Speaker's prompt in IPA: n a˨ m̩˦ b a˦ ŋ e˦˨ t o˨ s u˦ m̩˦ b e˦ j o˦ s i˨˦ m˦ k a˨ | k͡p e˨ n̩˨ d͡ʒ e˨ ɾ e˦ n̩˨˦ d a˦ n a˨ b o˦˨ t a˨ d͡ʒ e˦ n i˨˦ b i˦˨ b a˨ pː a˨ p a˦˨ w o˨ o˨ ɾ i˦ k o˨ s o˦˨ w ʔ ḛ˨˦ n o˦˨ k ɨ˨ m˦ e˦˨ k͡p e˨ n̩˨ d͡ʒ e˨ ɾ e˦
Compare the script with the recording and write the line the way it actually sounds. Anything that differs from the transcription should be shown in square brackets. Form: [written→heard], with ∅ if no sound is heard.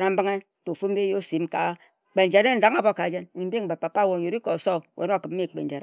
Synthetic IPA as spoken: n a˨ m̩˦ b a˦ ŋ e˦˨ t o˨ [s→f] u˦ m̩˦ b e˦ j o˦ s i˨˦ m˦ k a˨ | k͡p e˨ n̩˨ d͡ʒ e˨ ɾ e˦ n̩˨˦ d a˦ [n→ŋ] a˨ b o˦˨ [t→k] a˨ d͡ʒ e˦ n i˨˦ b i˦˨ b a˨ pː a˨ p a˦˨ w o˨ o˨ ɾ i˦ k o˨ s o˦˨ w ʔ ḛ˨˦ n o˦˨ k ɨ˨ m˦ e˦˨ k͡p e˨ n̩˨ d͡ʒ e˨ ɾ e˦